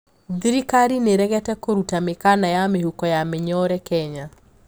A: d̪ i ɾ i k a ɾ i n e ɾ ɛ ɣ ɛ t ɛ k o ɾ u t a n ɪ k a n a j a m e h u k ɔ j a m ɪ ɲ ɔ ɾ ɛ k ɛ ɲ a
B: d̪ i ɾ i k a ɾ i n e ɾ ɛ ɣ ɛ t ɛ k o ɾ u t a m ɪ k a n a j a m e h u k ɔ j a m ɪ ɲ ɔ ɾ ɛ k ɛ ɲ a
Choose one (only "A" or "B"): B